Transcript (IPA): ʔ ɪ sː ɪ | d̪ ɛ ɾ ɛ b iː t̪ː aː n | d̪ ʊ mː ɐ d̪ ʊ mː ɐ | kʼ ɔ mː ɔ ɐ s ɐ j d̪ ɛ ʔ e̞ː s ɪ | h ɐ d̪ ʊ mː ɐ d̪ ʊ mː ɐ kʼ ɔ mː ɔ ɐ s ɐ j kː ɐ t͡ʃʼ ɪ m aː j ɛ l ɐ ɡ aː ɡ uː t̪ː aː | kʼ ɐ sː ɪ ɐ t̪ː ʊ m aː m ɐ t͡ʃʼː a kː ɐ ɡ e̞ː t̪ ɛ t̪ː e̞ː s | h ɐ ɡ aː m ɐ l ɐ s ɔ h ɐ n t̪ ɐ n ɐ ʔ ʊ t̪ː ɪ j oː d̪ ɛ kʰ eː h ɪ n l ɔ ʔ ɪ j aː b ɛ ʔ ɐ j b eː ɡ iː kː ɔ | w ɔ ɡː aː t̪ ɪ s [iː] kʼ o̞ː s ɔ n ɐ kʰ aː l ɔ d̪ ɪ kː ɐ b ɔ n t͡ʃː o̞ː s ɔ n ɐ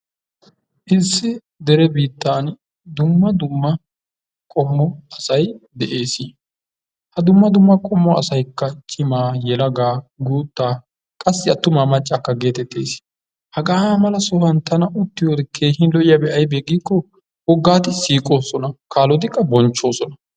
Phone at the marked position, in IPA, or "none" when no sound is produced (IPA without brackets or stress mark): iː